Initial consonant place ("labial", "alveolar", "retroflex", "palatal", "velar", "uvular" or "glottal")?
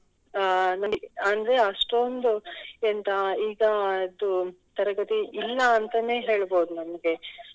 alveolar